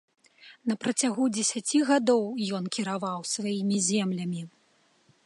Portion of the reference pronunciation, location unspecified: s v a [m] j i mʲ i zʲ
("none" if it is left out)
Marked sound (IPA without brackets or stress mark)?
none